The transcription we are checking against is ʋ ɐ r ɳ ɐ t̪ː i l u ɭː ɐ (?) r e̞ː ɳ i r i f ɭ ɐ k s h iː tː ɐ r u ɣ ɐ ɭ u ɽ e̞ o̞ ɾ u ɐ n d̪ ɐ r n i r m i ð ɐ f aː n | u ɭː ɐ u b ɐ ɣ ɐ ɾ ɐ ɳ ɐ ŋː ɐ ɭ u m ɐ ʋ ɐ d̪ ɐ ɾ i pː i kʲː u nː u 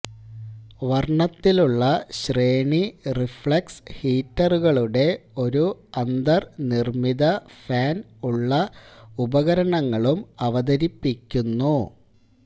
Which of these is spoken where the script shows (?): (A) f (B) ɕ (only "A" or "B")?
B